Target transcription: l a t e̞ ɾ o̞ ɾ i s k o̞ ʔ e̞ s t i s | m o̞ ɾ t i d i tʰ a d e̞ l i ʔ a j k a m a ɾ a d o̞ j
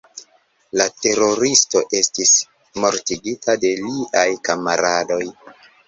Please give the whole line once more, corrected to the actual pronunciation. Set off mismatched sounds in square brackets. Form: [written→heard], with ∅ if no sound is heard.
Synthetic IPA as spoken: l a t e̞ ɾ o̞ ɾ i s [k→t] o̞ ʔ e̞ s t i s | m o̞ ɾ t i [d→ɡ] i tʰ a d e̞ l i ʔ a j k a m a ɾ a d o̞ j